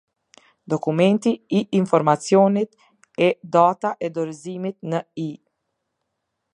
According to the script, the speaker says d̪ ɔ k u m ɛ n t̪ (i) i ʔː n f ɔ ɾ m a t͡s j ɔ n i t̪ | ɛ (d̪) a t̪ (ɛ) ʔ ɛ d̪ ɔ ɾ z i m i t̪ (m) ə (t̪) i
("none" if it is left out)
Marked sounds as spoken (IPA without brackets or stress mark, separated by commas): i, d̪, a, n, none